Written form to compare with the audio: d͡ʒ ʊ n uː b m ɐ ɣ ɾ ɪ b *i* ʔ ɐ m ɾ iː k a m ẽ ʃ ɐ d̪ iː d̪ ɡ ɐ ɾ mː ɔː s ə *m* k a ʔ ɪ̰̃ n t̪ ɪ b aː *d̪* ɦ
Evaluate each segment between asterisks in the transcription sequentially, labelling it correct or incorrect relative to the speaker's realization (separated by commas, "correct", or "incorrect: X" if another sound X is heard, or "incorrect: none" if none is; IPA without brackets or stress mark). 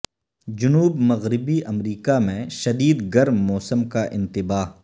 correct, correct, incorrect: none